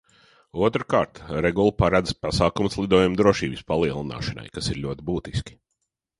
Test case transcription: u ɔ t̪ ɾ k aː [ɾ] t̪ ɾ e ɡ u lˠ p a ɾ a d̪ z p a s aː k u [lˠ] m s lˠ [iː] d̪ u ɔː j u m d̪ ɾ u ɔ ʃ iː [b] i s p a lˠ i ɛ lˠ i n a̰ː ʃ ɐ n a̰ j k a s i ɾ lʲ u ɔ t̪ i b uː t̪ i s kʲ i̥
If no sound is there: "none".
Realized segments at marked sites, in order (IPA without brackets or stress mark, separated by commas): ɾ, none, i, b